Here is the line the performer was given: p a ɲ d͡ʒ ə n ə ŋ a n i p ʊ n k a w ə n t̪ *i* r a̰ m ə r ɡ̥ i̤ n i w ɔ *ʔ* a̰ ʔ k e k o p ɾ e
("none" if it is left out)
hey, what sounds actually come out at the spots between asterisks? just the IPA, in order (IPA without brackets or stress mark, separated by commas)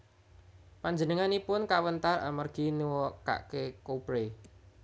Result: a, k